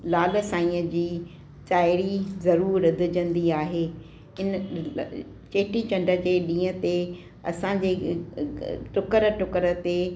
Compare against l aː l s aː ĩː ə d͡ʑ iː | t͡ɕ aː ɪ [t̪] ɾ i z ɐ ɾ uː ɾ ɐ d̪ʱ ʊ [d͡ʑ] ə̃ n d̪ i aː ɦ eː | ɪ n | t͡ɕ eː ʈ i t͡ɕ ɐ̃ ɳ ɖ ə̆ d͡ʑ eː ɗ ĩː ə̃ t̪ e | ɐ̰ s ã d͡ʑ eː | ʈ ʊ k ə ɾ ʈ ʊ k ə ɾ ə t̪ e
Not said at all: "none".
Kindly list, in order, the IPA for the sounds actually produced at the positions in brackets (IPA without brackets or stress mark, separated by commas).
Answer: none, d͡ʑ